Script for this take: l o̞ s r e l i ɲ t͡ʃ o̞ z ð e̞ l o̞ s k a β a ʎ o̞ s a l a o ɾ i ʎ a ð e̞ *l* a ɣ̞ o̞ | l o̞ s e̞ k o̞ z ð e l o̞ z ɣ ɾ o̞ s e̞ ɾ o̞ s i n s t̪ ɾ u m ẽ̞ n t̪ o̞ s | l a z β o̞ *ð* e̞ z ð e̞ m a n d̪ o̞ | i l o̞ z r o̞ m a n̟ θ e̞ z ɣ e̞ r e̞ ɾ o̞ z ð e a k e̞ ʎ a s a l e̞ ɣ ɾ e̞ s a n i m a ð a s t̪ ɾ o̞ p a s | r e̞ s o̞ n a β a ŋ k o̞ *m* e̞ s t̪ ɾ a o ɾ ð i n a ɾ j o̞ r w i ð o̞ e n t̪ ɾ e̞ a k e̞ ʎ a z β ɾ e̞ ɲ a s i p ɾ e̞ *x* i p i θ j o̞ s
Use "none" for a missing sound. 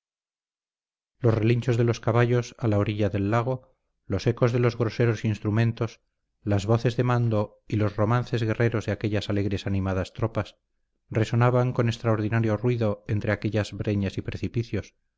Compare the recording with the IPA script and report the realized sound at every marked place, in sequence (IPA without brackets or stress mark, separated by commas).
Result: lː, θ, n, θ